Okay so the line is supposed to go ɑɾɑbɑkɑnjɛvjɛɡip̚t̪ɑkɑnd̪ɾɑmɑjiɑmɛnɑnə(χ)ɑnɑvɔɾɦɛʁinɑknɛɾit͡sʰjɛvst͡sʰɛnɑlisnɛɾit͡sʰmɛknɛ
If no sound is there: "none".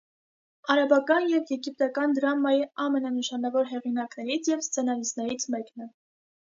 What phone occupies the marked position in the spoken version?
ʃ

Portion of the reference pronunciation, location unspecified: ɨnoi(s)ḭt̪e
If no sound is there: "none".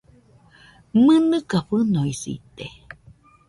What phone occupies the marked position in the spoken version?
s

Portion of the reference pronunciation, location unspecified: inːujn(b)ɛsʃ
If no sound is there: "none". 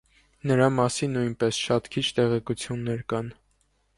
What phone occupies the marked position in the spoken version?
p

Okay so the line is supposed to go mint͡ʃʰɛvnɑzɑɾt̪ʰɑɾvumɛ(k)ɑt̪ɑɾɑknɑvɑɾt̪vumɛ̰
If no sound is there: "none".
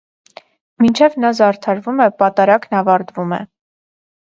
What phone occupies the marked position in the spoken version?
p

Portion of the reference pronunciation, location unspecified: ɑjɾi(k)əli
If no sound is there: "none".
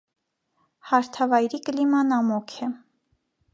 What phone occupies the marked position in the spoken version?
k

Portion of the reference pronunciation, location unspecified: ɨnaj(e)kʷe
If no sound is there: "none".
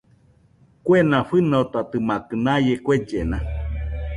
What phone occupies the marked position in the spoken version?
e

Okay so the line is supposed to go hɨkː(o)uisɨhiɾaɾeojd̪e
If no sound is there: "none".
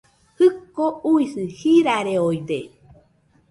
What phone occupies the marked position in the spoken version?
o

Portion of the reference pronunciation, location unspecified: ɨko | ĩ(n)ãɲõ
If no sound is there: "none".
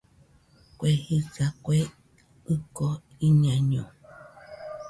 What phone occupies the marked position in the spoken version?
ɲ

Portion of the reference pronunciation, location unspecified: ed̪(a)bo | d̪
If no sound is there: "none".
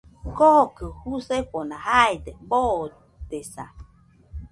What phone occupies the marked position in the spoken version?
e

